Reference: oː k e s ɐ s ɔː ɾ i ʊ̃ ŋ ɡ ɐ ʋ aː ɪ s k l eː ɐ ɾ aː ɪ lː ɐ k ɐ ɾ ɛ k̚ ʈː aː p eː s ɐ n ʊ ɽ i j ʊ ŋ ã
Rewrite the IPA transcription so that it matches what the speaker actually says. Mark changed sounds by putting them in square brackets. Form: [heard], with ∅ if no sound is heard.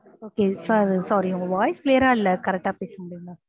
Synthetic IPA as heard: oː k e s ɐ s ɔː ɾ i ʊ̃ ŋ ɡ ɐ ʋ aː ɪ s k l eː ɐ ɾ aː ɪ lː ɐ k ɐ ɾ ɛ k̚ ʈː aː p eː s ɐ [m] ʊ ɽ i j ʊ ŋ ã